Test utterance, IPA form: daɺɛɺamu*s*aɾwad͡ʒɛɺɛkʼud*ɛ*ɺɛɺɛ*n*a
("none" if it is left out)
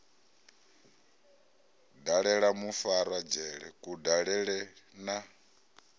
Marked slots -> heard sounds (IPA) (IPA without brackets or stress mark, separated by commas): f, a, n